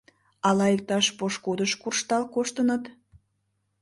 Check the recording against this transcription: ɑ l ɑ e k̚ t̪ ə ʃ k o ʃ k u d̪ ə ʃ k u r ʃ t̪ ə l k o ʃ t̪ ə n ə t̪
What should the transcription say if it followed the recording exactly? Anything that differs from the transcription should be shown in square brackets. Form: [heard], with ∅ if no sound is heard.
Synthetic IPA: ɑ l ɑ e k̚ t̪ [ɑ] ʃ [p] o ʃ k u d̪ ə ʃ k u r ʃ t̪ [ɑ] l k o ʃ t̪ ə n ə t̪